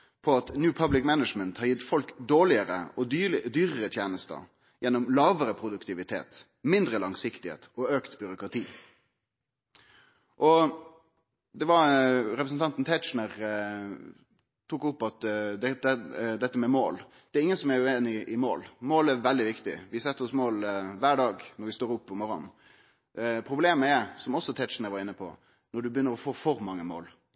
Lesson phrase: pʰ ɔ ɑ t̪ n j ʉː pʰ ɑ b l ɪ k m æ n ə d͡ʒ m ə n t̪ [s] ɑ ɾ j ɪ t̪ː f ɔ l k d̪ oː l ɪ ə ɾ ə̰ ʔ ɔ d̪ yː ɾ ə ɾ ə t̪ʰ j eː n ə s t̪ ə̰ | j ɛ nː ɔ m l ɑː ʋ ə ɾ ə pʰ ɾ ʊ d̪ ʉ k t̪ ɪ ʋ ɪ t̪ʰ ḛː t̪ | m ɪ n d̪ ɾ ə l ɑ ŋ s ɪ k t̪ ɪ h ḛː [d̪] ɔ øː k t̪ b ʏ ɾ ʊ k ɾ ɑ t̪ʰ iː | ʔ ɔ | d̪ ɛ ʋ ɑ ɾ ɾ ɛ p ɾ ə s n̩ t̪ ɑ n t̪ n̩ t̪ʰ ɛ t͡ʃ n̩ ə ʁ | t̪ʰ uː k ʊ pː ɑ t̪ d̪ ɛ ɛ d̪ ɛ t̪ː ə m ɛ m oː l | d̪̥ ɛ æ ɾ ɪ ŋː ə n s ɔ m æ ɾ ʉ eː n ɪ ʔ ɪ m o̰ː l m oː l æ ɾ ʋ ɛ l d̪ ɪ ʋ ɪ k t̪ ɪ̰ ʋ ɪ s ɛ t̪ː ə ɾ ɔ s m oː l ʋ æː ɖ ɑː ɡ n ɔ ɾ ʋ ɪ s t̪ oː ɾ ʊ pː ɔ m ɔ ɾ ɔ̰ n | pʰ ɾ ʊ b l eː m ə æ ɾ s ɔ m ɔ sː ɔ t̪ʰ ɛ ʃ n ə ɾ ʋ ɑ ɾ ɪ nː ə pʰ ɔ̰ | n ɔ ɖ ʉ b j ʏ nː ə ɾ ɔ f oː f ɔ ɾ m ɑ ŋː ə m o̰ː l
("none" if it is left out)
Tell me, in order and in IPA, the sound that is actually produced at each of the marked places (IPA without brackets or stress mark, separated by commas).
h, t̪